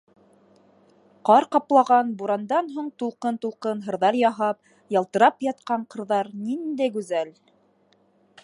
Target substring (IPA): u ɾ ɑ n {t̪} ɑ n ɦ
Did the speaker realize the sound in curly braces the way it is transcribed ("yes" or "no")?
no